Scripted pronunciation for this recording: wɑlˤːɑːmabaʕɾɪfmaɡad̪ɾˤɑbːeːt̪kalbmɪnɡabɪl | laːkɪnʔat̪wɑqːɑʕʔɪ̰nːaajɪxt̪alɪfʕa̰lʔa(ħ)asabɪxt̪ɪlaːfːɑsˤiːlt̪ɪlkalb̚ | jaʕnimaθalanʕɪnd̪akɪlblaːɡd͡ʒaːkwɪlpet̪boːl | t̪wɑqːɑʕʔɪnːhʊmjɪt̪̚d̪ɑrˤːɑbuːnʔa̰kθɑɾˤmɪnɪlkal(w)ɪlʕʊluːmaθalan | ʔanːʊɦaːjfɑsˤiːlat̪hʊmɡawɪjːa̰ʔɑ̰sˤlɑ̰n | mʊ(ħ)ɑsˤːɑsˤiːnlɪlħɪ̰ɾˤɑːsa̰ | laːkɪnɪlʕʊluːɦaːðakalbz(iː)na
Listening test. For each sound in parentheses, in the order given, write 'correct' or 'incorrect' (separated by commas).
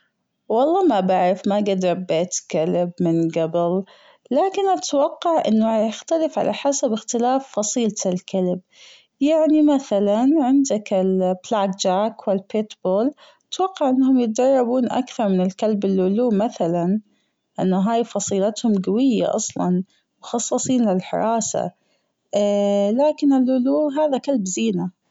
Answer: correct, incorrect, incorrect, correct